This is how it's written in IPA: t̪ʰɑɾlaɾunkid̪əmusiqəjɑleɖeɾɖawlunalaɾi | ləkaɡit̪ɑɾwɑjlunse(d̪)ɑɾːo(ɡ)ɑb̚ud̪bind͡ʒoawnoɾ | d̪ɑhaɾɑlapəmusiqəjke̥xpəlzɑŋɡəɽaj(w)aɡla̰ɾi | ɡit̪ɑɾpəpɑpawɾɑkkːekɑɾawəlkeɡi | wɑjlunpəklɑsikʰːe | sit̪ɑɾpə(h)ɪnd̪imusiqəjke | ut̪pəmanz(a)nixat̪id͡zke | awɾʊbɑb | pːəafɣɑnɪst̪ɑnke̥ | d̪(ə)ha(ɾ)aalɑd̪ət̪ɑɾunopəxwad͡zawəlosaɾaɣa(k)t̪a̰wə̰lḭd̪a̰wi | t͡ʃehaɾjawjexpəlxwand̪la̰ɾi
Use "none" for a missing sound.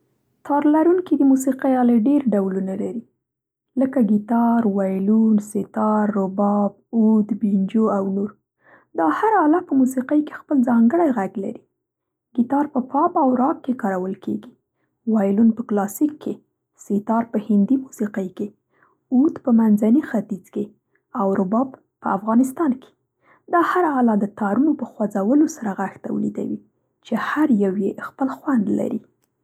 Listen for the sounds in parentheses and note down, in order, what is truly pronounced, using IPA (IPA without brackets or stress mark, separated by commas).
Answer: t̪, b, ɣ, h, a, ɑ, ɾ, x